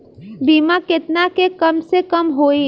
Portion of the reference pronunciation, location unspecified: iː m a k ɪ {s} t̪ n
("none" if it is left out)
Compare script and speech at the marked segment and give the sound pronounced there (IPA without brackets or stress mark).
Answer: none